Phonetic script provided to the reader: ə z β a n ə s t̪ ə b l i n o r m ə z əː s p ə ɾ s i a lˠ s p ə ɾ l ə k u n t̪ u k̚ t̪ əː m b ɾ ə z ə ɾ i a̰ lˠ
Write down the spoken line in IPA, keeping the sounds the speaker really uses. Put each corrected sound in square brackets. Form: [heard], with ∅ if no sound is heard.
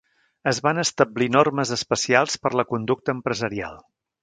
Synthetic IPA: ə z β a n ə s t̪ ə b l i n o r m ə z [ə] s p ə [∅] s i a lˠ s p ə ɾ l ə k u n [d̪] u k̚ t̪ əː m [p] ɾ ə z ə ɾ i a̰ lˠ